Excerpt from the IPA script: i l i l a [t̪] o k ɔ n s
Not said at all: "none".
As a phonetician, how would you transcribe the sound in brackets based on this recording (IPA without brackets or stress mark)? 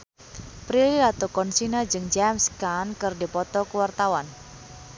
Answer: t̪